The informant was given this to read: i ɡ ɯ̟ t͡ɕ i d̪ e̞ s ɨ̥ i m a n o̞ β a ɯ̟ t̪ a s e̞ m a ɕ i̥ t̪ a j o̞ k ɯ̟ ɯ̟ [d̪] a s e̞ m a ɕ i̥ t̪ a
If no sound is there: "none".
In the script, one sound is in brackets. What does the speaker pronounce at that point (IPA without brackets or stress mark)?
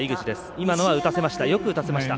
t̪